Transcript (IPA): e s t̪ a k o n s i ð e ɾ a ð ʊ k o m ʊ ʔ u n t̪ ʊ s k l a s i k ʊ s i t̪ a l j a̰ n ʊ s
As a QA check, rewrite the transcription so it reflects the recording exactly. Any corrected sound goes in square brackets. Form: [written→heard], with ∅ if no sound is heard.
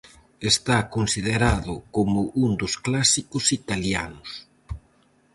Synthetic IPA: e s t̪ a k o n s i ð e ɾ a ð ʊ k o m ʊ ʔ u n [t̪→d̪] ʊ s k l a s i k ʊ s i t̪ a l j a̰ n ʊ s